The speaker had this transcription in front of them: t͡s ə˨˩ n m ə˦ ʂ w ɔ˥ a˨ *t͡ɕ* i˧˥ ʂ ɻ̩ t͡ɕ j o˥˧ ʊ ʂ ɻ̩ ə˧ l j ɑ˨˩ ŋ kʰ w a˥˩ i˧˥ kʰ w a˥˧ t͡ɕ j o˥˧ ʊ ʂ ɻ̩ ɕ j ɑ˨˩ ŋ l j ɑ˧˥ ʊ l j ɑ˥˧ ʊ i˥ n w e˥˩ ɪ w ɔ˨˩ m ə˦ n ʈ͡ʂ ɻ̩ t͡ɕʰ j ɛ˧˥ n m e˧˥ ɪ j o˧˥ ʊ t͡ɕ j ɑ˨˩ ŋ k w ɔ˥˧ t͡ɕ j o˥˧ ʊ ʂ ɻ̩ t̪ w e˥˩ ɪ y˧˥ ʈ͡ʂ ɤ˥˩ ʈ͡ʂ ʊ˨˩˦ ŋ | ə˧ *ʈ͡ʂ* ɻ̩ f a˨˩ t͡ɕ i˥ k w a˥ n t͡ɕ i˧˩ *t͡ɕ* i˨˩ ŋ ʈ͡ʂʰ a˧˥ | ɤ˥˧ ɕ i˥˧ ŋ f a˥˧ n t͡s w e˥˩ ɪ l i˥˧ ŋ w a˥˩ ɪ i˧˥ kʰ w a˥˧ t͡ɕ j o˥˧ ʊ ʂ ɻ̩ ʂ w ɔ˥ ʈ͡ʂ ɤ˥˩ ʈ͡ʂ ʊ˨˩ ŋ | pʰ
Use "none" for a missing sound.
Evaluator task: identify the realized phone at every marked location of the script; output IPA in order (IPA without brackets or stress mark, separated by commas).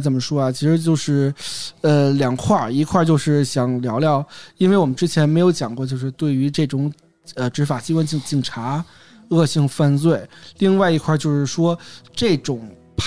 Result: t͡ɕʰ, ʈ͡ʂ, t͡ɕ